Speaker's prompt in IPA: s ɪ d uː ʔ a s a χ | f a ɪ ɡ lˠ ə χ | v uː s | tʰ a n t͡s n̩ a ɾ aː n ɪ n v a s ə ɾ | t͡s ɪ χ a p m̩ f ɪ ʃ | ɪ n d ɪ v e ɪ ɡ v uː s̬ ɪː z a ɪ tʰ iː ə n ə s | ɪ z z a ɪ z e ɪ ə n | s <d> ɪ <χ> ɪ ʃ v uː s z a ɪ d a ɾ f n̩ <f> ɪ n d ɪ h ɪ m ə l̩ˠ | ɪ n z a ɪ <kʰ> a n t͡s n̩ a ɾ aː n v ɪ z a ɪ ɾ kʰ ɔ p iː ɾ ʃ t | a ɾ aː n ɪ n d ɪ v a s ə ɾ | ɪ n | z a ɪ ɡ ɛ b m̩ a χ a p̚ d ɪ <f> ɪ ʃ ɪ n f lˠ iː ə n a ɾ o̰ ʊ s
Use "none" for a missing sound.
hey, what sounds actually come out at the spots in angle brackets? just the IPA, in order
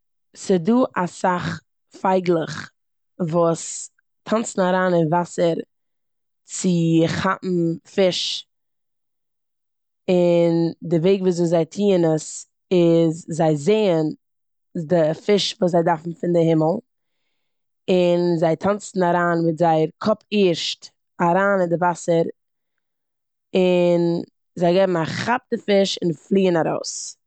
d, f, f, tʰ, f

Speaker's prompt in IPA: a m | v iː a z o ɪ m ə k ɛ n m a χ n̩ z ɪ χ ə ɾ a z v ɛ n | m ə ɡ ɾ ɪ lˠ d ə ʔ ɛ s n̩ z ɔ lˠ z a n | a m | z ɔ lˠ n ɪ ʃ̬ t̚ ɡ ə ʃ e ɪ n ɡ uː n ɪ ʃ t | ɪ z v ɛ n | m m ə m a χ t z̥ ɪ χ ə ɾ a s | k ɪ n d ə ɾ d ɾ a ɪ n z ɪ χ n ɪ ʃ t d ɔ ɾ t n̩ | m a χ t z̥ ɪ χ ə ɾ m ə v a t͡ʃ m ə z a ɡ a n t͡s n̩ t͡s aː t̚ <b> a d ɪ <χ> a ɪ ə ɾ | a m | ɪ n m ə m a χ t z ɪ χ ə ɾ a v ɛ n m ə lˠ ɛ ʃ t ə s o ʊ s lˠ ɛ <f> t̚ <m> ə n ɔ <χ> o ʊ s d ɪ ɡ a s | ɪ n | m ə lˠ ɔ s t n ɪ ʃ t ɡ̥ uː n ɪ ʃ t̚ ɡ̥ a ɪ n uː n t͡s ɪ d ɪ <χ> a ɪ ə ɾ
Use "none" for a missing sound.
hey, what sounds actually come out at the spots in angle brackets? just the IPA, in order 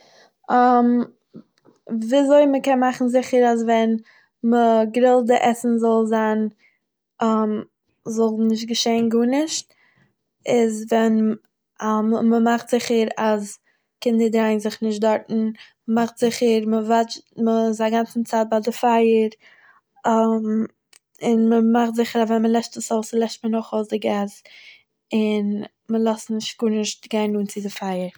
b, f, ʃ, m, χ, f

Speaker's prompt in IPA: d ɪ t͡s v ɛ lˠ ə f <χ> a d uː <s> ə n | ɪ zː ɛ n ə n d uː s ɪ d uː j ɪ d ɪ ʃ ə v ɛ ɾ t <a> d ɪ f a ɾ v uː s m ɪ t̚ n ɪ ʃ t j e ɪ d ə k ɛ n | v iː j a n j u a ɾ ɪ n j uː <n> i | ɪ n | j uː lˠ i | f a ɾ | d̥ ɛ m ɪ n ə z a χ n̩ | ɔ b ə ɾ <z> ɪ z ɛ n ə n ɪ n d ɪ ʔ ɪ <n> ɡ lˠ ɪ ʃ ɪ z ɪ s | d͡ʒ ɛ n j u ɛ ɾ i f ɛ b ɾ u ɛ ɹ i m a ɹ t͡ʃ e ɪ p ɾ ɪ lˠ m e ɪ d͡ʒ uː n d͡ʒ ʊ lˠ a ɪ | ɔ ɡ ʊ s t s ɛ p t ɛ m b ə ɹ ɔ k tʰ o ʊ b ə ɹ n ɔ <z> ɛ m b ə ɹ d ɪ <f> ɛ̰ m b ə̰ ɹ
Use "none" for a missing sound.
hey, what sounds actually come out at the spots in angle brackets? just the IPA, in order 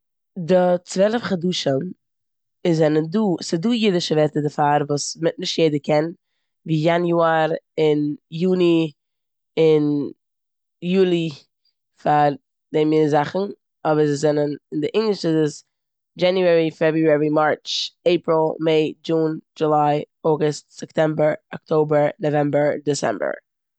χ, ʃ, ə, n, z, ŋ, v, s

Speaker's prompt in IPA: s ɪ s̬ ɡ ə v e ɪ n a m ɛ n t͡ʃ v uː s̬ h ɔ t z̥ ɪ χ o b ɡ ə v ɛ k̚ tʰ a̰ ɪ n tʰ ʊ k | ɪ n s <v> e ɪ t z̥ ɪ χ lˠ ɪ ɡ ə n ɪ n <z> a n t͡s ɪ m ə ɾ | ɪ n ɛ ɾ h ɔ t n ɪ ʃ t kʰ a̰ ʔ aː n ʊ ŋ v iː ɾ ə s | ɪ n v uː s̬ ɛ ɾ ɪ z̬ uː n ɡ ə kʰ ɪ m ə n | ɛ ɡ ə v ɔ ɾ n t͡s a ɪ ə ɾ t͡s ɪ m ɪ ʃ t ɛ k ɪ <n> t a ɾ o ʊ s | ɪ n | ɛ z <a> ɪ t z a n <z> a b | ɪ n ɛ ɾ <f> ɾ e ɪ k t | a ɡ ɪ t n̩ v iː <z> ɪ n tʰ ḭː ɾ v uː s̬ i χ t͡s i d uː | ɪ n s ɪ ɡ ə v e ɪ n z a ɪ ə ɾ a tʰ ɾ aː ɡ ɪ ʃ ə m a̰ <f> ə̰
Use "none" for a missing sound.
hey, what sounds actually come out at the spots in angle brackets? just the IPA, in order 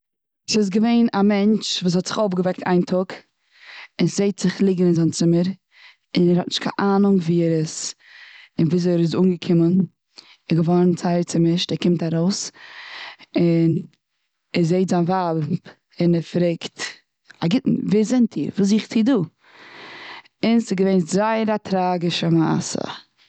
z, z, m, e, v, f, z, s

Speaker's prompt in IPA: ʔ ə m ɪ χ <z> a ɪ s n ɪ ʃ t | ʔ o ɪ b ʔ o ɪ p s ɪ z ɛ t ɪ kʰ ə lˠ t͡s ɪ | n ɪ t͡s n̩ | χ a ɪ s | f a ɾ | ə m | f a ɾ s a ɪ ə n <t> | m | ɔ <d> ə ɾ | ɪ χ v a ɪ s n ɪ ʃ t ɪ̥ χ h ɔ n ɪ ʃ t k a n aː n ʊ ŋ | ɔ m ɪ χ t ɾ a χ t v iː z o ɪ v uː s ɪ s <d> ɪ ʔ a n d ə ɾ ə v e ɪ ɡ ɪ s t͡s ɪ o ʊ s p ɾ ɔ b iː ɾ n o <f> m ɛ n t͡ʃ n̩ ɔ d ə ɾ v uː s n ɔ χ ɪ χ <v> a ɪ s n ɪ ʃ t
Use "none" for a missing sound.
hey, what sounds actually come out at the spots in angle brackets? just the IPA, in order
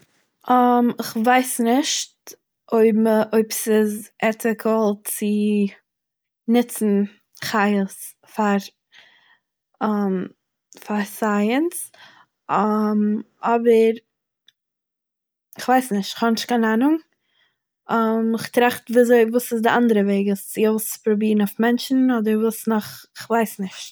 v, s, b, d, f, v

